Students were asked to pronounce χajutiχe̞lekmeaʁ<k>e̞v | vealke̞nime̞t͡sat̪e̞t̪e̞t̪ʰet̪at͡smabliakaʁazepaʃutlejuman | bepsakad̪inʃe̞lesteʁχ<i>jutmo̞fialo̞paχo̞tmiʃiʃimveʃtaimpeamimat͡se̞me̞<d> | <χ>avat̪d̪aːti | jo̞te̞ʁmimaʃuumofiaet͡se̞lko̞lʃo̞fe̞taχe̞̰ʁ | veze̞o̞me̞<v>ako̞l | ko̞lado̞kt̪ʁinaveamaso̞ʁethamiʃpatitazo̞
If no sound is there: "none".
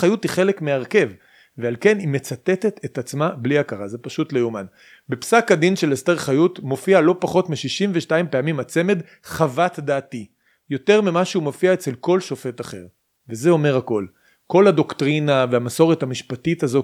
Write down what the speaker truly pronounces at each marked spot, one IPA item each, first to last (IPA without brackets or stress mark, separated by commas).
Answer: k, a, d, χ, ʁ